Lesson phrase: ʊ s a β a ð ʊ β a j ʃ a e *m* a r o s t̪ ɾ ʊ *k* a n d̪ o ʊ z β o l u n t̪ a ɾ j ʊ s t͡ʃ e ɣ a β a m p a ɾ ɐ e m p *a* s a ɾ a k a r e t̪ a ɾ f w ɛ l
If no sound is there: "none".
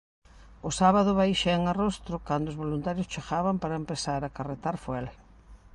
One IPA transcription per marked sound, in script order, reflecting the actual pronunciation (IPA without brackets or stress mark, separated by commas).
ŋ, k, e